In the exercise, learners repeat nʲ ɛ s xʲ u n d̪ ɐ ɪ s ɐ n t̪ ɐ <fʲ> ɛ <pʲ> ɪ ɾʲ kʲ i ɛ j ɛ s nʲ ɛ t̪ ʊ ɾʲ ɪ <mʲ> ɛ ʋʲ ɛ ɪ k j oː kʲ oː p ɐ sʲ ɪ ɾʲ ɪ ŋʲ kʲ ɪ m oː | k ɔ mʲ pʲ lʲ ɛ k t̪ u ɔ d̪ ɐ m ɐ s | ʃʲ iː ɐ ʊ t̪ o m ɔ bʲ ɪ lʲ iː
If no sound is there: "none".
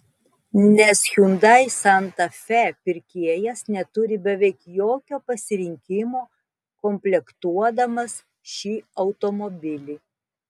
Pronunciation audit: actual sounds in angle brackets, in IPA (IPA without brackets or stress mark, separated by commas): fʲ, pʲ, bʲ